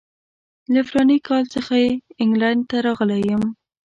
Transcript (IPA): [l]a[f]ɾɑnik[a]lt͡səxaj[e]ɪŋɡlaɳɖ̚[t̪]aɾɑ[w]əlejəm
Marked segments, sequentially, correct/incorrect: correct, correct, incorrect, correct, correct, incorrect

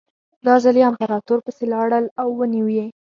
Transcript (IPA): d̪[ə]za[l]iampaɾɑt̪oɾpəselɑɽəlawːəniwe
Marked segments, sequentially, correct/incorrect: incorrect, correct

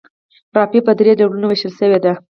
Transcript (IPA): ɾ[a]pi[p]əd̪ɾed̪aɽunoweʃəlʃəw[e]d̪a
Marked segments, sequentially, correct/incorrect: incorrect, correct, correct

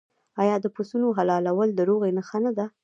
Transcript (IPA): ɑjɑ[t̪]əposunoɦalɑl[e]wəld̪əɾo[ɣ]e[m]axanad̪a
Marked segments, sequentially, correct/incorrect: incorrect, incorrect, correct, incorrect

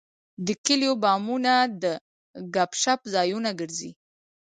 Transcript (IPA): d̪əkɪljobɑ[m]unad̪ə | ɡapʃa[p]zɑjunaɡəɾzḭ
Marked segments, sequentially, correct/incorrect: correct, correct

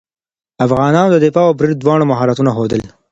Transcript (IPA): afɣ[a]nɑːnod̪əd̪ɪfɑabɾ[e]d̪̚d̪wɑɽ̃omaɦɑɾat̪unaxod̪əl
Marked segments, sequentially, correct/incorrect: incorrect, incorrect

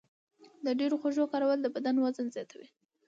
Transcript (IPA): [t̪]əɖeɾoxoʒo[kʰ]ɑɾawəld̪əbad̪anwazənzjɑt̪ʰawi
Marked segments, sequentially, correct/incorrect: incorrect, incorrect

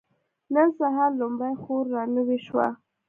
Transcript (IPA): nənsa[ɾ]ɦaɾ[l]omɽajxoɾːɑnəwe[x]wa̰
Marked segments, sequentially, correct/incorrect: incorrect, correct, incorrect

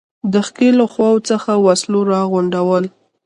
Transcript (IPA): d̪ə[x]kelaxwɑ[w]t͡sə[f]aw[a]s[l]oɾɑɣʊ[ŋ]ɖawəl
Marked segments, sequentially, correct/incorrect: correct, correct, incorrect, correct, correct, incorrect

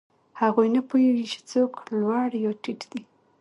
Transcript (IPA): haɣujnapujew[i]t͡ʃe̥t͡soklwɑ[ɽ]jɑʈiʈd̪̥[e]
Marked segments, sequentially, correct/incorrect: correct, correct, incorrect

